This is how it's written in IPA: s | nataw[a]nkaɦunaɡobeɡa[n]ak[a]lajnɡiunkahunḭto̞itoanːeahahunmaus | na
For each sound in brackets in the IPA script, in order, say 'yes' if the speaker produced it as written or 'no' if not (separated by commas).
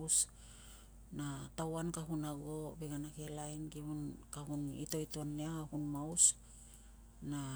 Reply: yes, yes, no